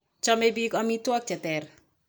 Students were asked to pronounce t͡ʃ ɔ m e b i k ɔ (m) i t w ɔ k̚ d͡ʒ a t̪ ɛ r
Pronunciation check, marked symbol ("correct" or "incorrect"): correct